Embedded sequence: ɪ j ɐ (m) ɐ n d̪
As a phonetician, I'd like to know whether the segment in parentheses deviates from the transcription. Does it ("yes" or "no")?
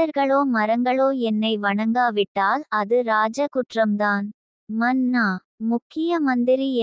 no